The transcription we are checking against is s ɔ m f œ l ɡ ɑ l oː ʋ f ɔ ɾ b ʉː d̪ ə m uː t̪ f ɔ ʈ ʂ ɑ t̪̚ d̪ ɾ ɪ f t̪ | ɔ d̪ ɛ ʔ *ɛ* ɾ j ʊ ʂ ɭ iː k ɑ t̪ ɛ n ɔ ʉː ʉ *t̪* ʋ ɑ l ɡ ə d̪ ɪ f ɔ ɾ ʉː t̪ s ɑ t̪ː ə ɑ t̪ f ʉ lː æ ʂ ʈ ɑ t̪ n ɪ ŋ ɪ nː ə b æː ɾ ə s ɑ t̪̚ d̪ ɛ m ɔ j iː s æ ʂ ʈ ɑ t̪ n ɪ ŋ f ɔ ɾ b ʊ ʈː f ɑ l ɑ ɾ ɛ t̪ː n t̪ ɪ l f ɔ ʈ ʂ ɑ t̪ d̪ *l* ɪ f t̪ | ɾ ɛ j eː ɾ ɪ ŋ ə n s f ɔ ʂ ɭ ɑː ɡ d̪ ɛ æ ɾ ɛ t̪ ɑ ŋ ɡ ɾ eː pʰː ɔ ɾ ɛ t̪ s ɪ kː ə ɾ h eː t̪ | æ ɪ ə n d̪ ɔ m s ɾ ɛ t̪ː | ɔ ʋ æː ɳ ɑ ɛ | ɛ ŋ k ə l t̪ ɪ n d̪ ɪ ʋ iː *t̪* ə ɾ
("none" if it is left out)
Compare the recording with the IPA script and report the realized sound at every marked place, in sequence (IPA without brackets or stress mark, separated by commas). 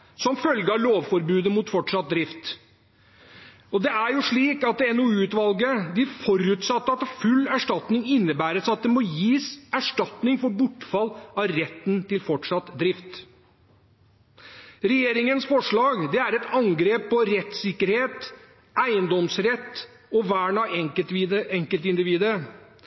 æ, t̪, ɾ, d̪